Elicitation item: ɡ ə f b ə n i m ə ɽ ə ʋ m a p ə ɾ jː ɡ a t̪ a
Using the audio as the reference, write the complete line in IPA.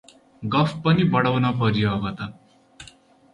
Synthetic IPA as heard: ɡ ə f p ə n i b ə ɽ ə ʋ n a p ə ɾ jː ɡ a t̪ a